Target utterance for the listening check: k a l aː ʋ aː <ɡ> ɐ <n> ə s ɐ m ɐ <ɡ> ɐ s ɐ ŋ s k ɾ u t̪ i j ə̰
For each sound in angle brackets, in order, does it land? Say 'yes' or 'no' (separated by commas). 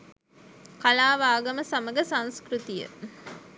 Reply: yes, no, yes